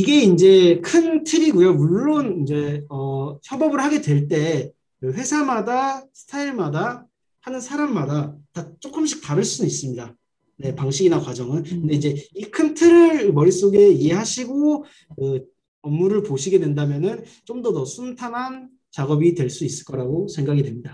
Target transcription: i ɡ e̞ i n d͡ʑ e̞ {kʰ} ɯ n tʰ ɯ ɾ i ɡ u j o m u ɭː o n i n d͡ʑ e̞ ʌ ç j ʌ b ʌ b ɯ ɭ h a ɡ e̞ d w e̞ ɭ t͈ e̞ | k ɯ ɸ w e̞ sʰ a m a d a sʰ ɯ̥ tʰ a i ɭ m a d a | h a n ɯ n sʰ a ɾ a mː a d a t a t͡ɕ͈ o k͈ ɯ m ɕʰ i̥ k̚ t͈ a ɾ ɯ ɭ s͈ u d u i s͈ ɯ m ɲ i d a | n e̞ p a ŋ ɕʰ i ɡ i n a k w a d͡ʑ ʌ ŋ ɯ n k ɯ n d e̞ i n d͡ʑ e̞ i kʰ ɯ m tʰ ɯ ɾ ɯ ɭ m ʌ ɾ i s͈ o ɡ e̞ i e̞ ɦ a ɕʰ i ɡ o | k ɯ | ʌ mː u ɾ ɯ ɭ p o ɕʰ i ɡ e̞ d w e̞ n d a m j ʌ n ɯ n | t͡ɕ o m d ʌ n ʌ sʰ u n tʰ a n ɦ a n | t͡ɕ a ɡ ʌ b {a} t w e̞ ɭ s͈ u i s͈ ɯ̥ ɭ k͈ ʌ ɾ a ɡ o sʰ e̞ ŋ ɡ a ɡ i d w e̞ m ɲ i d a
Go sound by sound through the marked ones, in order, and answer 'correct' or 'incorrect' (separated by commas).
correct, incorrect